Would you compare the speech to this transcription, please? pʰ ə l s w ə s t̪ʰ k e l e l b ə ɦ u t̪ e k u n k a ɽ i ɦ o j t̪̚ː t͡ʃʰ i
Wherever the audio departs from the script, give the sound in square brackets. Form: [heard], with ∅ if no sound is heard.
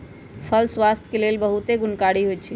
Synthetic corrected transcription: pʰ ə l s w [a] s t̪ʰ k e l e l b ə ɦ u t̪ e [ɡ] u n k a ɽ i ɦ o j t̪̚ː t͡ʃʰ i